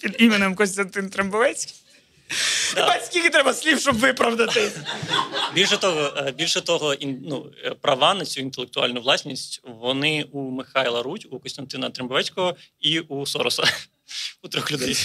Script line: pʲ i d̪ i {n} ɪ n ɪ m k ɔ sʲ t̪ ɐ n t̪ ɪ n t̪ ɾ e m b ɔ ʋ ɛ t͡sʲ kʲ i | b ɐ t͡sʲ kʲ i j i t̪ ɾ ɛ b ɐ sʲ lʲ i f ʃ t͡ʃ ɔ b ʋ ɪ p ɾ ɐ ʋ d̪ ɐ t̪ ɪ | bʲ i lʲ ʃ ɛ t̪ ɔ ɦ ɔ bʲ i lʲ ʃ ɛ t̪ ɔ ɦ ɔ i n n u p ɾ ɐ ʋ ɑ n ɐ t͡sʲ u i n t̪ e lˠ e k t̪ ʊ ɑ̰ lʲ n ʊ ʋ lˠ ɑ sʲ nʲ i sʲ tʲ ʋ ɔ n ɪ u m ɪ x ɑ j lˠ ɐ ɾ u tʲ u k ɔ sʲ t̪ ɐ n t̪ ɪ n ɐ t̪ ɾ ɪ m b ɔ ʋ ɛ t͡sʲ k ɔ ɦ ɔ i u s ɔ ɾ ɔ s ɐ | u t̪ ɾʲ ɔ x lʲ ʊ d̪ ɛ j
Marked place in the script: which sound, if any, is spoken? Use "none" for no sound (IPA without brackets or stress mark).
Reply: m